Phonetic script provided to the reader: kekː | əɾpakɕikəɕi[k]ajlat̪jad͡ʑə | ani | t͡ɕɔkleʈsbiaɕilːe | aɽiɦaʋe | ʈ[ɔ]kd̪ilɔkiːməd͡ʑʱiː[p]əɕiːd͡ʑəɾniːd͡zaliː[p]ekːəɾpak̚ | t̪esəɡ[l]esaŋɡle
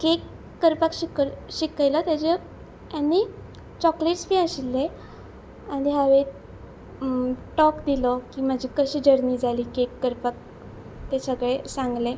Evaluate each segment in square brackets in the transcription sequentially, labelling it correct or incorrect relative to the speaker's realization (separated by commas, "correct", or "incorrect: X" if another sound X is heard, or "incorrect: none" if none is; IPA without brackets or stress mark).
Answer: correct, correct, incorrect: k, incorrect: k, incorrect: ɭ